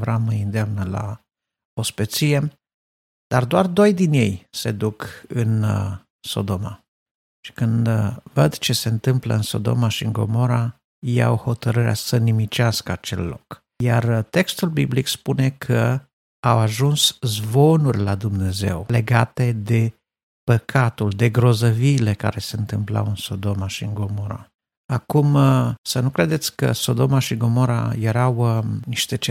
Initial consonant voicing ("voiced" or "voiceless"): voiced